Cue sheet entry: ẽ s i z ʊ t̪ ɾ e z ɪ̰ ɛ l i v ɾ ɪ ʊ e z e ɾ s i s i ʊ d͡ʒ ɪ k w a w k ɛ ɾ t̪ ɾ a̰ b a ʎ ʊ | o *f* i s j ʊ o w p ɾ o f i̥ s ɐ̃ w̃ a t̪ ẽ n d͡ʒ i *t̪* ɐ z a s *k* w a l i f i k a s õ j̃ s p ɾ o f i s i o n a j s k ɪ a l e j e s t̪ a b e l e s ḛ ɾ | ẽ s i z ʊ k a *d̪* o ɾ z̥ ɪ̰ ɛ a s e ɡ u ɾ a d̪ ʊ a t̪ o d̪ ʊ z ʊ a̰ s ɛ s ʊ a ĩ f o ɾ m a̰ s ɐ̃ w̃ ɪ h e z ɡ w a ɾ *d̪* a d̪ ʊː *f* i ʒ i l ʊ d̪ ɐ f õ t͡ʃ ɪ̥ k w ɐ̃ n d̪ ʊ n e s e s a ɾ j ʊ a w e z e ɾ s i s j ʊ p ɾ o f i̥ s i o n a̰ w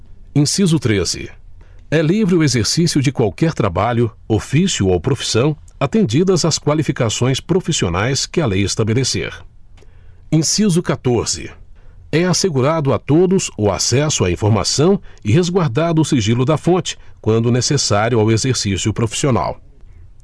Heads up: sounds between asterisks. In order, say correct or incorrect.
correct, incorrect, correct, incorrect, correct, incorrect

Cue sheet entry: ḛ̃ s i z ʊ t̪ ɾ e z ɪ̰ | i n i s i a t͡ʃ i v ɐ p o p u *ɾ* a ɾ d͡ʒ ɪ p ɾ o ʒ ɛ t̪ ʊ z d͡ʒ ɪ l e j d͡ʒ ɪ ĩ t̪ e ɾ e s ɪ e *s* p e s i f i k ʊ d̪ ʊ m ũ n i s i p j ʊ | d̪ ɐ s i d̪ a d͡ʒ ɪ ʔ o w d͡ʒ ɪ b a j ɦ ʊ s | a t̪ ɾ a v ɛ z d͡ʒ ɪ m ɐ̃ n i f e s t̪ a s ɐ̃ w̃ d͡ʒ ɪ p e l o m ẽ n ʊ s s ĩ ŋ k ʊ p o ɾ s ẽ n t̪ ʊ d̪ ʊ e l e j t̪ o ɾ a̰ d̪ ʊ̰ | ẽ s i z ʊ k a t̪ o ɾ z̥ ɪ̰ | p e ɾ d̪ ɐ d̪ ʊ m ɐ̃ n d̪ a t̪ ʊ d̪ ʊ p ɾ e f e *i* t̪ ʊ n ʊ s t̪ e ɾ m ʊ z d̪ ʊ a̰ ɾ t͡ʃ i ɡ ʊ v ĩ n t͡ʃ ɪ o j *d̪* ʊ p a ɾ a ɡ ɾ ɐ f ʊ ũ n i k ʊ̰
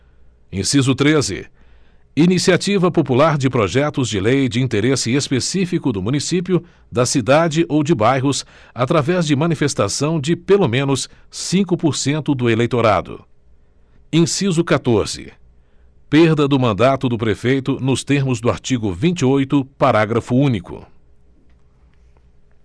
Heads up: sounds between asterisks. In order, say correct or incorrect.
incorrect, correct, incorrect, incorrect

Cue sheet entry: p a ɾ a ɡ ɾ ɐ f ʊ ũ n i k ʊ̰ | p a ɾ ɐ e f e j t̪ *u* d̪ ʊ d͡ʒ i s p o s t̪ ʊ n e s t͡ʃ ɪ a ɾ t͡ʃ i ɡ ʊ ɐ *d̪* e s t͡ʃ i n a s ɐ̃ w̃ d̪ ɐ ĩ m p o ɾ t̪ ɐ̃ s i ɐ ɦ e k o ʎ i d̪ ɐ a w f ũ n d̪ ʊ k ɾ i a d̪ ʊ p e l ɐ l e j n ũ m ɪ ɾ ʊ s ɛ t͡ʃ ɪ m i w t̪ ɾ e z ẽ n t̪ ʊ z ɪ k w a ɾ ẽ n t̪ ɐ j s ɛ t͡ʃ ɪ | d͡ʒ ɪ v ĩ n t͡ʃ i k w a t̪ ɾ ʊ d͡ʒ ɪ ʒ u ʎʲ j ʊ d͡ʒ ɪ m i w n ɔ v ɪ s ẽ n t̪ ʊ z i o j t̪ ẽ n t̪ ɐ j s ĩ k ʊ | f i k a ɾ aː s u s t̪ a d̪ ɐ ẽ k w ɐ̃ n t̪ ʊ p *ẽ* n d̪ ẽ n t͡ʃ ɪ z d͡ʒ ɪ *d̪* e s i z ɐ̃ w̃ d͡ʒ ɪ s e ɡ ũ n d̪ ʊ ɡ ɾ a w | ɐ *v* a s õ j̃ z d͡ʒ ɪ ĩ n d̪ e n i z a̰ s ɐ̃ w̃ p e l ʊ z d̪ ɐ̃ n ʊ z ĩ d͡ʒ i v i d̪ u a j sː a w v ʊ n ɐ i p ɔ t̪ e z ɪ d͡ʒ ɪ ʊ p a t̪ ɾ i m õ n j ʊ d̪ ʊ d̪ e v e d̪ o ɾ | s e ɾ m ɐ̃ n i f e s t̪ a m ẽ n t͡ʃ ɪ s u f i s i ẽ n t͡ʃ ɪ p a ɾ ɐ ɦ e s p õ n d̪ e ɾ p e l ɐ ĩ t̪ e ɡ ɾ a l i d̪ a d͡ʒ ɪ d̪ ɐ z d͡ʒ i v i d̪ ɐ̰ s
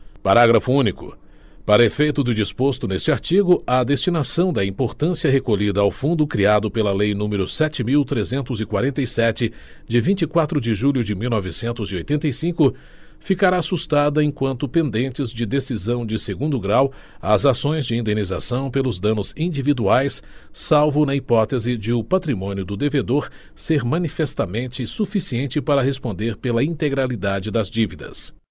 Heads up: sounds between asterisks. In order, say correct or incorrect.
incorrect, correct, correct, correct, incorrect

